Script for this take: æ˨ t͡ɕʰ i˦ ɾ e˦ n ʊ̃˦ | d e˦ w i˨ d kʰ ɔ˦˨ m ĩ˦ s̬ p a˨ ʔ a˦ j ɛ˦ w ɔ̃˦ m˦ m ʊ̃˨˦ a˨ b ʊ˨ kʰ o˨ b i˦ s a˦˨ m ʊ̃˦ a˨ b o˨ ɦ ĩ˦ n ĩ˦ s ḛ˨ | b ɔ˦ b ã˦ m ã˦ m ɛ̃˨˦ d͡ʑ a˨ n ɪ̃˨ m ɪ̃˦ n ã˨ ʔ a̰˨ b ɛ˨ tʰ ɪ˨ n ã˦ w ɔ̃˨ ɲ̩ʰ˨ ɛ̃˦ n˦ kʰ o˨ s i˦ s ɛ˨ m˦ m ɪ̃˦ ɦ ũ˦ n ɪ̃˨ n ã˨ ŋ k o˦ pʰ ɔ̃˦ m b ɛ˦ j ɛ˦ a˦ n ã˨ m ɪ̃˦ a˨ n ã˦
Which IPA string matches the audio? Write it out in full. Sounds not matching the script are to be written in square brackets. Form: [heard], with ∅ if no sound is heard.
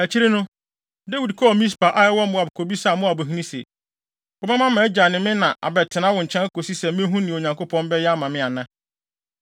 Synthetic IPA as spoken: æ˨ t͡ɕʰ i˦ ɾ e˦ n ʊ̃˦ | d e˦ w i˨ d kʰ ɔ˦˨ m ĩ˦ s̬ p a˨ ʔ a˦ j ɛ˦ w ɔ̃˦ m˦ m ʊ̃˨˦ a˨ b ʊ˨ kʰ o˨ b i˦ s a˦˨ m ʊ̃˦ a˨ b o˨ ɦ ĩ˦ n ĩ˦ s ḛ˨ | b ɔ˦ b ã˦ m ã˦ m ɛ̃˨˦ d͡ʑ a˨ n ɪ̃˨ m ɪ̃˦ n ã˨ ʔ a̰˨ b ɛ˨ tʰ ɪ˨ n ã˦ w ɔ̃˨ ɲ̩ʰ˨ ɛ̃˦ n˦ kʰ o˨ s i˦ s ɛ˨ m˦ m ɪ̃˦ ɦ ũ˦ n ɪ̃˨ [ɲ] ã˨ ŋ k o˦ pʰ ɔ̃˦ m b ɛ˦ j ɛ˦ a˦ [m] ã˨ m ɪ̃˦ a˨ n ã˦

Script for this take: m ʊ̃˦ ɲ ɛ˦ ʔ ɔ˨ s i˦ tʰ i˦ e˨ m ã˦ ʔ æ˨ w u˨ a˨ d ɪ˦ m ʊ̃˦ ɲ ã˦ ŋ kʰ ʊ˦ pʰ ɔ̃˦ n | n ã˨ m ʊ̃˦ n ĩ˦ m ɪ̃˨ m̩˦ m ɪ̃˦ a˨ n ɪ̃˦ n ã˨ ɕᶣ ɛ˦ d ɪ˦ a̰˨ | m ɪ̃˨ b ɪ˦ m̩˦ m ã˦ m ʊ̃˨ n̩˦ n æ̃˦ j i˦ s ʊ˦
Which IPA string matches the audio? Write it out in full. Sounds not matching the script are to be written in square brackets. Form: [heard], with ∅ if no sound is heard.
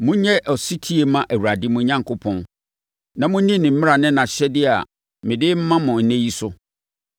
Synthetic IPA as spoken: m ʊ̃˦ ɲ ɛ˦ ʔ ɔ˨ s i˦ tʰ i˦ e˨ m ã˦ ʔ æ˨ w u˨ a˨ d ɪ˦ m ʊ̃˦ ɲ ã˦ ŋ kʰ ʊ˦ pʰ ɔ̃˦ n | n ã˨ m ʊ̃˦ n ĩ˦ [n] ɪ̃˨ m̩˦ m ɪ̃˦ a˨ n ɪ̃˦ n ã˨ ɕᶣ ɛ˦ d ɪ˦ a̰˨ | m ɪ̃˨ [d] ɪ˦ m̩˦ m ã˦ m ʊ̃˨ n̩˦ n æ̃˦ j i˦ s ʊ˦

